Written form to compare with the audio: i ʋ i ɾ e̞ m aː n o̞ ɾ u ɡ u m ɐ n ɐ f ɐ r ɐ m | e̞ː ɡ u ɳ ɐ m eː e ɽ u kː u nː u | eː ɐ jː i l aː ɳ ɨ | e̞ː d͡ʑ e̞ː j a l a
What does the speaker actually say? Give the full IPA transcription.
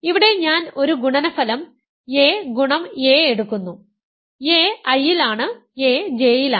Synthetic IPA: i ʋ i ɽ e̞ ɲ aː n o̞ ɾ u ɡ u ɳ ɐ n ɐ f ɐ l ɐ m | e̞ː ɡ u ɳ ɐ m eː e ɽ u kː u nː u | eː ɐ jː i l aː ɳ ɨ | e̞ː d͡ʑ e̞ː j i l a